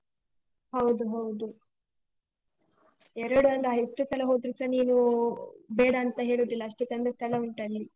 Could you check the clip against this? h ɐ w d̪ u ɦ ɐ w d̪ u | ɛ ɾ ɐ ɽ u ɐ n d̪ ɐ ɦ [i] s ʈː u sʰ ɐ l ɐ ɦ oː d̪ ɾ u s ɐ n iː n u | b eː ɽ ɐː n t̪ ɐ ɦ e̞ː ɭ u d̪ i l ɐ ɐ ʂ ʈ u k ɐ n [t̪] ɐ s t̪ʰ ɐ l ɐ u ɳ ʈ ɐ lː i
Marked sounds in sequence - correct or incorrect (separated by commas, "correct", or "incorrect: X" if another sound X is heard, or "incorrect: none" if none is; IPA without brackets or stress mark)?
incorrect: e, incorrect: d̪